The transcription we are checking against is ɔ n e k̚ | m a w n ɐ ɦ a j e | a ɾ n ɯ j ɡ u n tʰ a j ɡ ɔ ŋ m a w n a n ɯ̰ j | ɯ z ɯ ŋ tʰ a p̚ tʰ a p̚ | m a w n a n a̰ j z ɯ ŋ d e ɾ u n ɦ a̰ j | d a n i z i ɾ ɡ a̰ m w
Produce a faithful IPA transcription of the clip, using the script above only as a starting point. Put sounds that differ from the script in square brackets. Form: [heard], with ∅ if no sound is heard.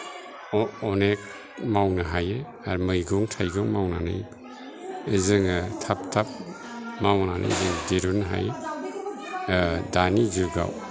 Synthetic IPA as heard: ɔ n e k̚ | m a w n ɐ ɦ a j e | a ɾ [m] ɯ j ɡ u [ŋ] tʰ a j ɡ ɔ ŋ m a w n a n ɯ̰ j | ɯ z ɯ ŋ tʰ a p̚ tʰ a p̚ | m a w n a n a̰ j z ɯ ŋ d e ɾ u n ɦ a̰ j | d a n i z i ɾ ɡ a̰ [∅] w

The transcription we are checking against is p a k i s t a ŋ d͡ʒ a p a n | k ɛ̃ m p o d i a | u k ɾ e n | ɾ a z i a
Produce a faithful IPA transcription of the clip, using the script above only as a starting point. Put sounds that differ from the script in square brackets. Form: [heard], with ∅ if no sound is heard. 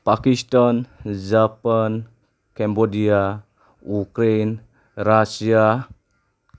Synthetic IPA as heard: p a k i s t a [n] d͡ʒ a p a n | k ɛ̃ m [b] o d i a | u k ɾ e n | ɾ a [s] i a

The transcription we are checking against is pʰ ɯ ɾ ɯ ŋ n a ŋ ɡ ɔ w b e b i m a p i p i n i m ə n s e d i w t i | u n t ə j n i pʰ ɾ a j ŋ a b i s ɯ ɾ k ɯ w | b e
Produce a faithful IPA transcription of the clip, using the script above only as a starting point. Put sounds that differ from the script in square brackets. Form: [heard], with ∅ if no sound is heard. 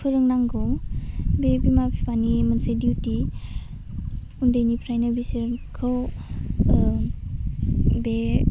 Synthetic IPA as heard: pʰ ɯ ɾ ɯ ŋ n a ŋ ɡ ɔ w b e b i m a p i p [a] n i m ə n s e d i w t i | u n [d] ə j n i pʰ ɾ a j [n] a b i s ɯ ɾ [kʰ] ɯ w | b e

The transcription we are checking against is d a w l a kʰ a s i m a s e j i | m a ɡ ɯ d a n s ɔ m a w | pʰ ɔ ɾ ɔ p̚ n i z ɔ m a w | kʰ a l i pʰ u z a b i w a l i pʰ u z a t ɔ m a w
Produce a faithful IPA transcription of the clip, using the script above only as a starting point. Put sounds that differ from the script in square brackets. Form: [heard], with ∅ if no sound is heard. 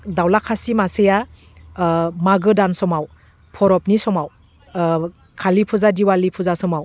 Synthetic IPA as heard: d a w l a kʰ a s i m a s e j [a] | m a ɡ ɯ d a n s ɔ m a w | pʰ ɔ ɾ ɔ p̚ n i [s] ɔ m a w | kʰ a l i pʰ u z a [d] i w a l i pʰ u z a [s] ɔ m a w

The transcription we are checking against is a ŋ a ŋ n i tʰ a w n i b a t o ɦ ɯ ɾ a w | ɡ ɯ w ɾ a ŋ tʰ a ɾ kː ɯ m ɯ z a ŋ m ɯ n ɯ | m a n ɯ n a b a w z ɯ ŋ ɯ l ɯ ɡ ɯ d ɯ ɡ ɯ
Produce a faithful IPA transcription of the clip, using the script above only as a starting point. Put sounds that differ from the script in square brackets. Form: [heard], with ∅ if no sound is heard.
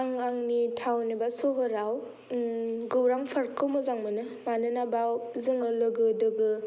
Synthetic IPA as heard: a ŋ a ŋ n i tʰ a w n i b a [s] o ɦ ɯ ɾ a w | ɡ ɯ w ɾ a ŋ [pʰ] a ɾ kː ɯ m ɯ z a ŋ m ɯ n ɯ | m a n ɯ n a b a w z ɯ ŋ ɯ l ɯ ɡ ɯ d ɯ ɡ ɯ

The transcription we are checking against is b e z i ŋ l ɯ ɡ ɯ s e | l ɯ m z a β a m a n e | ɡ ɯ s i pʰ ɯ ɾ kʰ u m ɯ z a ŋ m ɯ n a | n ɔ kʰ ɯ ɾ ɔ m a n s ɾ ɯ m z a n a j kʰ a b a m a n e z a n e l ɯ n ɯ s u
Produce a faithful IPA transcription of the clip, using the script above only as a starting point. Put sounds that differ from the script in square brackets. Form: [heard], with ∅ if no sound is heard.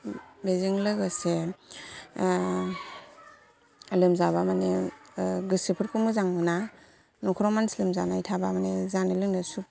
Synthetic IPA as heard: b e z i ŋ l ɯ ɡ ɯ s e | l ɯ m z a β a m a n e | ɡ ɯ s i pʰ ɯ ɾ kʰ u m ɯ z a ŋ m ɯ n a | n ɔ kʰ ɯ ɾ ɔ m a n s [l] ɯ m z a n a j [tʰ] a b a m a n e z a n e l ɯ n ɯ s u

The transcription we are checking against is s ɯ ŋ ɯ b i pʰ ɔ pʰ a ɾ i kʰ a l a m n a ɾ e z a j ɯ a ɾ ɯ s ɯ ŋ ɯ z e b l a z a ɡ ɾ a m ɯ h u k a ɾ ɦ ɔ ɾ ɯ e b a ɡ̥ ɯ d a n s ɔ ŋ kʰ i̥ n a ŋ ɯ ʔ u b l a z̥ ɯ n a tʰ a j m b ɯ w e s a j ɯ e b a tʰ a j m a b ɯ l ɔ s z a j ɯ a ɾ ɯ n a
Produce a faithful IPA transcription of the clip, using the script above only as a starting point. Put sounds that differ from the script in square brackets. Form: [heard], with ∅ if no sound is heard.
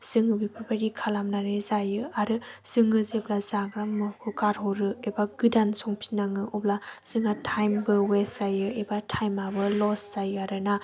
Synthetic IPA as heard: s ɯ ŋ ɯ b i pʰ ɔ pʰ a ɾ i kʰ a l a m n a ɾ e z a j ɯ a ɾ ɯ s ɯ ŋ ɯ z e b l a z a ɡ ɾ a m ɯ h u k a ɾ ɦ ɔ ɾ ɯ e b a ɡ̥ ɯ d a n s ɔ ŋ [pʰ] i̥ n a ŋ ɯ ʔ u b l a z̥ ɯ [ŋ] a tʰ a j m b ɯ w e s a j ɯ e b a tʰ a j m a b ɯ l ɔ s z a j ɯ a ɾ ɯ n a

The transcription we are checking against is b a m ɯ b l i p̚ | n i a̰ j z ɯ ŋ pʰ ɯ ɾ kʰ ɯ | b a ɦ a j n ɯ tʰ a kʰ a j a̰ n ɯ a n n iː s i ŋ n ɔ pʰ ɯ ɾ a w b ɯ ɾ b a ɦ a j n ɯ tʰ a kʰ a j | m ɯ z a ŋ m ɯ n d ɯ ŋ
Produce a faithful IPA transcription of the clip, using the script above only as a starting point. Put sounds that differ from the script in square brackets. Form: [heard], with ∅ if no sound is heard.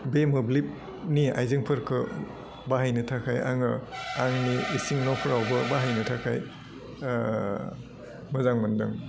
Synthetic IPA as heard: b [e] m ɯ b l i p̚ | n i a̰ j z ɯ ŋ pʰ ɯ ɾ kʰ ɯ | b a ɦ a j n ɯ tʰ a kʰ a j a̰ [ŋ] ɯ a [ŋ] n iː s i ŋ n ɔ pʰ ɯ ɾ a w b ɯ [∅] b a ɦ a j n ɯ tʰ a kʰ a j | m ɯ z a ŋ m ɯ n d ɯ ŋ

